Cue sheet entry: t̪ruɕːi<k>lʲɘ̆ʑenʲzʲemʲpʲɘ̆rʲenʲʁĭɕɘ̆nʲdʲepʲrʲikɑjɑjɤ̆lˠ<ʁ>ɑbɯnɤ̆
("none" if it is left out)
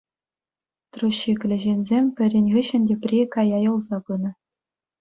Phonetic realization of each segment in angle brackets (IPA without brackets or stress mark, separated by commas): k, z